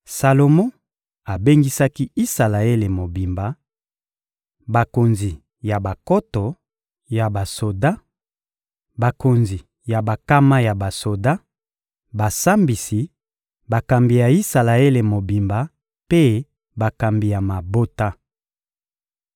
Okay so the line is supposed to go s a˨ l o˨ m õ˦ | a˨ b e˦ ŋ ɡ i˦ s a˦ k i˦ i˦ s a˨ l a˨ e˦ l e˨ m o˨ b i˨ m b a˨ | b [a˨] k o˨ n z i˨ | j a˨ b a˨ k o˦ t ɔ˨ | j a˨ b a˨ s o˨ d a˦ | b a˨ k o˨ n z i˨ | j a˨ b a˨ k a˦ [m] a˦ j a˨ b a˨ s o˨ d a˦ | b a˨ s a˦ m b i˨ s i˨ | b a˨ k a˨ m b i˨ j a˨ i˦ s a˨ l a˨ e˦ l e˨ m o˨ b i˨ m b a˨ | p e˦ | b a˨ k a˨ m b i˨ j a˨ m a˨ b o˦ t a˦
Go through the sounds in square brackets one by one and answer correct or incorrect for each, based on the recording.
correct, correct

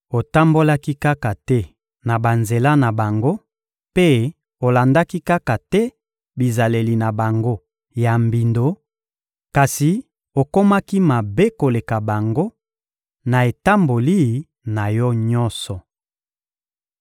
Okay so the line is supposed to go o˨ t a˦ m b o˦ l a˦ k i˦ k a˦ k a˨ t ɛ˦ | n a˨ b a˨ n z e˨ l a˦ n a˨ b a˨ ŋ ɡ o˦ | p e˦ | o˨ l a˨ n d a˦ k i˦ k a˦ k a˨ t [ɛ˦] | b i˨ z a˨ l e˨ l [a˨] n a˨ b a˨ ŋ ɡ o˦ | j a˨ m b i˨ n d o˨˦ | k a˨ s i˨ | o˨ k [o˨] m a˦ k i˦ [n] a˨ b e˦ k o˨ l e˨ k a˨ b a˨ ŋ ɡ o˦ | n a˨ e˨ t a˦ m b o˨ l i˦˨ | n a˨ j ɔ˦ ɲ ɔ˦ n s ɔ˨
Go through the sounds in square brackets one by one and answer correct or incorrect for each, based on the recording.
correct, incorrect, incorrect, incorrect

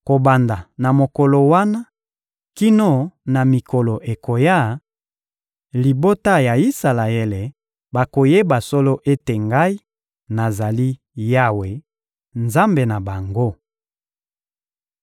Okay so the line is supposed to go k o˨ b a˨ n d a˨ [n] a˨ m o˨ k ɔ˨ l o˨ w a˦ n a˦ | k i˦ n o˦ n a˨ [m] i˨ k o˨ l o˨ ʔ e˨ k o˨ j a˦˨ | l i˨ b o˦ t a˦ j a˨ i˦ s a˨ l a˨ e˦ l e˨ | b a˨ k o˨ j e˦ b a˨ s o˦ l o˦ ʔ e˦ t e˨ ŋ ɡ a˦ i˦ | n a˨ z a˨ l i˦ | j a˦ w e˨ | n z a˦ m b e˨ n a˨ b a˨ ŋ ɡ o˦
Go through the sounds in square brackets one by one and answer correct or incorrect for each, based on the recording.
correct, correct

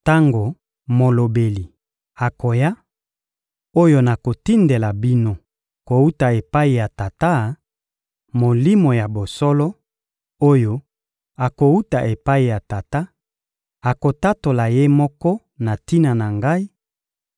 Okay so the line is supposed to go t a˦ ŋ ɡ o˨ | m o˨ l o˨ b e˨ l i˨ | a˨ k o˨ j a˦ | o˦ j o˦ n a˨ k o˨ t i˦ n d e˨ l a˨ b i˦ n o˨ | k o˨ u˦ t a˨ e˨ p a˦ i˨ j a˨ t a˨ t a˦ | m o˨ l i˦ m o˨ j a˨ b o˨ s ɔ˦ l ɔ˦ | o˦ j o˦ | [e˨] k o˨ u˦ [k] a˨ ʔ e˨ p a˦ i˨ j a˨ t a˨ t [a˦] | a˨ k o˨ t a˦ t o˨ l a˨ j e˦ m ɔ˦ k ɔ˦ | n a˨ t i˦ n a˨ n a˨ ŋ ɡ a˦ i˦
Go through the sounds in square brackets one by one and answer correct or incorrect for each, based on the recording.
incorrect, incorrect, correct

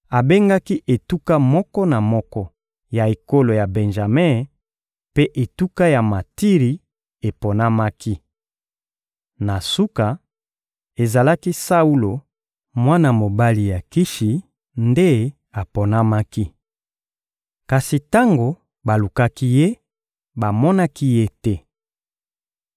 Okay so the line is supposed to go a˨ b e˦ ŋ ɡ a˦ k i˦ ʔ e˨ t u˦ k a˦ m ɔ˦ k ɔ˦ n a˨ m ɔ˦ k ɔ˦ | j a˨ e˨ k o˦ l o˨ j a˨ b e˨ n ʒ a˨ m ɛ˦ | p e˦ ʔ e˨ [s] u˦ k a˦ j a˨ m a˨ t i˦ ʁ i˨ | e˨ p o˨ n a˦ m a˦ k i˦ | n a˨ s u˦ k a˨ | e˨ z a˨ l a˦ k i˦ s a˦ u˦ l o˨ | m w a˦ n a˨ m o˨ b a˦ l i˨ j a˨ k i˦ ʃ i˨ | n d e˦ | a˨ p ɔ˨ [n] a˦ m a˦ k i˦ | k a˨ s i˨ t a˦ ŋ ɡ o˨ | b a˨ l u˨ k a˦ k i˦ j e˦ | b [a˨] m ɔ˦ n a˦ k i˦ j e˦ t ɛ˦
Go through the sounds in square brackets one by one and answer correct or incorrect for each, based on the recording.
incorrect, correct, correct

